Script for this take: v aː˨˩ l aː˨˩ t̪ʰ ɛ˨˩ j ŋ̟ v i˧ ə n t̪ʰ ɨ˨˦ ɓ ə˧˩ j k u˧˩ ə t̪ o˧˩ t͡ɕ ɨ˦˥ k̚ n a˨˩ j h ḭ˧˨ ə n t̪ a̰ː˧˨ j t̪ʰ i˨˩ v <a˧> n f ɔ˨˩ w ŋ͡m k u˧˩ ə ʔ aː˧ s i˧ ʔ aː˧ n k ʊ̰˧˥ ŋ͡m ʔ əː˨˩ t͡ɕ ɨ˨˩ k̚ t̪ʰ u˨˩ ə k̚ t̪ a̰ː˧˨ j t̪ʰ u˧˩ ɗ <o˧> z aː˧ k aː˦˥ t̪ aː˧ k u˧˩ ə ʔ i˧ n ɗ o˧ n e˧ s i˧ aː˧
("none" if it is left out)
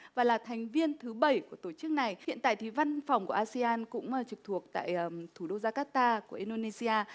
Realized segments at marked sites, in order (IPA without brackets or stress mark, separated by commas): a˧, o˧